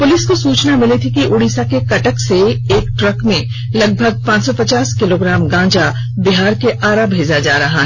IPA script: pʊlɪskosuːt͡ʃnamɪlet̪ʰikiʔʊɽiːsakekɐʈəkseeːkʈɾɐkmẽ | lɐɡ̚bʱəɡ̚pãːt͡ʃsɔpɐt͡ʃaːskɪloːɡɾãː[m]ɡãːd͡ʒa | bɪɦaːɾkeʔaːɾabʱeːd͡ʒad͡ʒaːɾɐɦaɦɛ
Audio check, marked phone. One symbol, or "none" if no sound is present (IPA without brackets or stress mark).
m